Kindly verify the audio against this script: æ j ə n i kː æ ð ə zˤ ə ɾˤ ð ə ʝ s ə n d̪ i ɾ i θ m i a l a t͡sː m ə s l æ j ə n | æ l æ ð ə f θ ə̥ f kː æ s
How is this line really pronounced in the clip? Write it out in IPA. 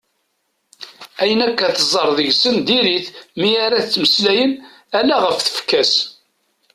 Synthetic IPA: æ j ə n æ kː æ θ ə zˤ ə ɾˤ ð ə ʝ s ə n d̪ i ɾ i θ m i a ɾ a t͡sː m ə s l æ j ə n | æ l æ ʁ ə f θ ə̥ f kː æ s